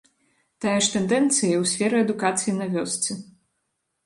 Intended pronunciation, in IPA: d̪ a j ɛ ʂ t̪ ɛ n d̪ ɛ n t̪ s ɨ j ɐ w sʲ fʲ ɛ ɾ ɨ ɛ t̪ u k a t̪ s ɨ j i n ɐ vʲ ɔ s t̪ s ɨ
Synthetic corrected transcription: t̪ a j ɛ ʂ t̪ ɛ n d̪ ɛ n t̪ s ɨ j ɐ w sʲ fʲ ɛ ɾ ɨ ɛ d̪ u k a t̪ s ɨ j i n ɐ vʲ ɔ s t̪ s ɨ